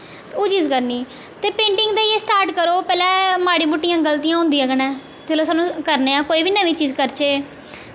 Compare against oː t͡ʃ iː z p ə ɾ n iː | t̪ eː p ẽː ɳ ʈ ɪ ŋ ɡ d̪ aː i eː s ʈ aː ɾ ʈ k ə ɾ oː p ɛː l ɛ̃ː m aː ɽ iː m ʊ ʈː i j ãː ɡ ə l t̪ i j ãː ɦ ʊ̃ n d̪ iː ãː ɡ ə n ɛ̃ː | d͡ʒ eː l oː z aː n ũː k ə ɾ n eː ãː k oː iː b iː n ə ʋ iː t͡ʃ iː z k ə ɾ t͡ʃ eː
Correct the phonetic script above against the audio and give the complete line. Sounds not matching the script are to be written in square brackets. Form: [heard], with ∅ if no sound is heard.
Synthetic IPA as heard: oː t͡ʃ iː z [k] ə ɾ n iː | t̪ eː p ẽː ɳ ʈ ɪ ŋ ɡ d̪ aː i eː s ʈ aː ɾ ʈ k ə ɾ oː p ɛː l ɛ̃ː m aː ɽ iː m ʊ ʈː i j ãː ɡ ə l t̪ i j ãː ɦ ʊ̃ n d̪ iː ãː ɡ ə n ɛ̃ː | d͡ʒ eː l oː [s] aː n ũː k ə ɾ n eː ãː k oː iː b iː n ə ʋ iː t͡ʃ iː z k ə ɾ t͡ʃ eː

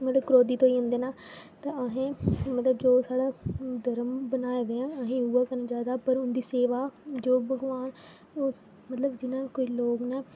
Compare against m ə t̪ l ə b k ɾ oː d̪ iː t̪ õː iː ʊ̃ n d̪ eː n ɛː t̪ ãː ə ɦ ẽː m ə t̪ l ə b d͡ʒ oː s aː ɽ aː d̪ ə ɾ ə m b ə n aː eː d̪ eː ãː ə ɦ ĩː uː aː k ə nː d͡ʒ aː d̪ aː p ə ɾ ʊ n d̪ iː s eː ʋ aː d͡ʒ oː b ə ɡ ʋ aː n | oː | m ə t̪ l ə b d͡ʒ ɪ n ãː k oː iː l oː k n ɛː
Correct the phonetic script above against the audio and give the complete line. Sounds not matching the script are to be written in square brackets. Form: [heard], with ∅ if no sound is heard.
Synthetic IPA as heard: m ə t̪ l ə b k ɾ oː d̪ iː t̪ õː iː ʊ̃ n d̪ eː n [aː] t̪ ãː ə ɦ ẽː m ə t̪ l ə b d͡ʒ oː s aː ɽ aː d̪ ə ɾ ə m b ə n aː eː d̪ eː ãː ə ɦ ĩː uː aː k ə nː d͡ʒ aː d̪ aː p ə ɾ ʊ n d̪ iː s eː ʋ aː d͡ʒ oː b ə ɡ ʋ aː n | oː | m ə t̪ l ə b d͡ʒ ɪ n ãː k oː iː l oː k n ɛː

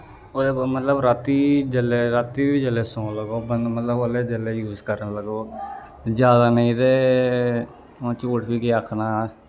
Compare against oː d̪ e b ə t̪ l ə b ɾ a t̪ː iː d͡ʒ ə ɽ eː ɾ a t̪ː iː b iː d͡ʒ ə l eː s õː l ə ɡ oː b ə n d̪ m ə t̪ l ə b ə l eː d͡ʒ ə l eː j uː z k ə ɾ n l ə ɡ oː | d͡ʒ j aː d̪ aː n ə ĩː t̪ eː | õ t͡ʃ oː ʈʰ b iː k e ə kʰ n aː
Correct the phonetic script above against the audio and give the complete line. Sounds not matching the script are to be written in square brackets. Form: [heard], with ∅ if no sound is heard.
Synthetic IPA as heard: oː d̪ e [m] ə t̪ l ə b ɾ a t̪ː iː d͡ʒ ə [l] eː ɾ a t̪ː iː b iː d͡ʒ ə l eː s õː l ə ɡ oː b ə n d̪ m ə t̪ l ə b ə l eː d͡ʒ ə l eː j uː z k ə ɾ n l ə ɡ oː | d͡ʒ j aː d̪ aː n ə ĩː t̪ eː | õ t͡ʃ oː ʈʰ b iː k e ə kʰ n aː

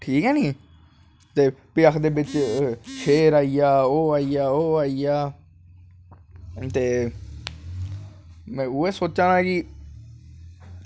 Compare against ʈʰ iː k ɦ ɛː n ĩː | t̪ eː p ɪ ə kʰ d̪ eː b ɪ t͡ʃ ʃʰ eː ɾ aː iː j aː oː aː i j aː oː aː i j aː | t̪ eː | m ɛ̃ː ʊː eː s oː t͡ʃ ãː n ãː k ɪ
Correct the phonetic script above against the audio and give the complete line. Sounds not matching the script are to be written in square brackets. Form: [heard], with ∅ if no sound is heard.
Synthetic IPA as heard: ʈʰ iː k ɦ ɛː n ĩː | t̪ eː p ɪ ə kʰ d̪ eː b ɪ t͡ʃ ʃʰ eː ɾ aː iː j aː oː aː i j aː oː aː i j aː | t̪ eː | m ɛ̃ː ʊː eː s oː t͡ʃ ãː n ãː k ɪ

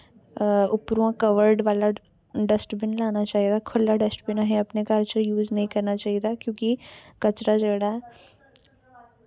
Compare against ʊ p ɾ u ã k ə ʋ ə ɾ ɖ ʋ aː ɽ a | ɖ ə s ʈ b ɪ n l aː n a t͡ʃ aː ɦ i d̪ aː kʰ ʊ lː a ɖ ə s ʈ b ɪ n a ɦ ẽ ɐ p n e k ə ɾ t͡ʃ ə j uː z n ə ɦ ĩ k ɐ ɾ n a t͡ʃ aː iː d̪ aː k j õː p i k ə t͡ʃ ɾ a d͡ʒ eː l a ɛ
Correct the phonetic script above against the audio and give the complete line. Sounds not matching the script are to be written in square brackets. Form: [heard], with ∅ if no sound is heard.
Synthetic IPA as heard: ʊ p ɾ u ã k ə ʋ ə ɾ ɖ ʋ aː [l] a | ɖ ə s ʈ b ɪ n l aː n a t͡ʃ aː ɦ i d̪ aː kʰ ʊ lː a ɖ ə s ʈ b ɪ n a ɦ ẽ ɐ p n e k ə ɾ t͡ʃ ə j uː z n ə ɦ ĩ k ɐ ɾ n a t͡ʃ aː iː d̪ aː k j õː [k] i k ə t͡ʃ ɾ a d͡ʒ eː [ɽ] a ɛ

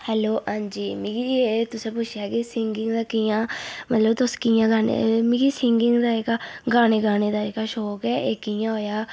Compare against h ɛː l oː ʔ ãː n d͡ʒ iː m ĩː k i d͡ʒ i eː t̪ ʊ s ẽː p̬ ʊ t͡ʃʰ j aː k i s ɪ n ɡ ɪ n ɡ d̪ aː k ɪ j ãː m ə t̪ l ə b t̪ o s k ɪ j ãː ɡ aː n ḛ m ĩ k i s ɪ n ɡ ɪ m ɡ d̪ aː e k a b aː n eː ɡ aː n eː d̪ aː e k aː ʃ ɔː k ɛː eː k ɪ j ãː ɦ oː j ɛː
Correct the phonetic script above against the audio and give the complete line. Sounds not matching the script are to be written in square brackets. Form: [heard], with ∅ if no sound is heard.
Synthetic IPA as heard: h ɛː l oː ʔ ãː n d͡ʒ iː m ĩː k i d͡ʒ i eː t̪ ʊ s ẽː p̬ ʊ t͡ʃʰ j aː k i s ɪ [ŋ] ɡ ɪ [ŋ] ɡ d̪ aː k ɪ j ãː m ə t̪ l ə b t̪ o s k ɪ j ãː ɡ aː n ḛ m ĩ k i s ɪ [ŋ] ɡ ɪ [ŋ] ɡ d̪ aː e k a [ɡ] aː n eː ɡ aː n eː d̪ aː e k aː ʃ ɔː k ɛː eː k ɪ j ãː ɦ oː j [aː]

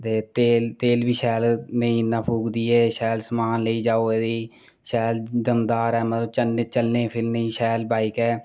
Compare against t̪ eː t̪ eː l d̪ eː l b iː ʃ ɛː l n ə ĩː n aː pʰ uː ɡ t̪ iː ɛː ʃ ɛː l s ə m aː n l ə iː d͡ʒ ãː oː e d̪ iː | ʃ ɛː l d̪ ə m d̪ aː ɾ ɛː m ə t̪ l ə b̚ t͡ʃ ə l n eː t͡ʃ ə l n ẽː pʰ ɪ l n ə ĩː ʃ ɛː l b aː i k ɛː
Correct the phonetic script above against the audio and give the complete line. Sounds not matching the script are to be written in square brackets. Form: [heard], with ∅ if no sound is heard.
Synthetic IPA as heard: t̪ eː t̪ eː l [t̪] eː l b iː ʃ ɛː l n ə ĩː n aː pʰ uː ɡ [d̪] iː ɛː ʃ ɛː l s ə m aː n l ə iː d͡ʒ [aː] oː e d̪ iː | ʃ ɛː l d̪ ə m d̪ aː ɾ ɛː m ə t̪ l ə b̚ t͡ʃ ə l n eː t͡ʃ ə l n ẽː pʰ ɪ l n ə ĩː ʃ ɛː l b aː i k ɛː

